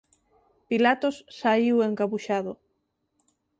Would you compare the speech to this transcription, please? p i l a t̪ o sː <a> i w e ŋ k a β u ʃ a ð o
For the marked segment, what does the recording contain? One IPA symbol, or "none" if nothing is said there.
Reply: a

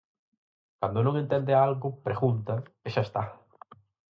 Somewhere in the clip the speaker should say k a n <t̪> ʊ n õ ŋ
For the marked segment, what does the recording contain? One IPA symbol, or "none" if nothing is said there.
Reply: d̪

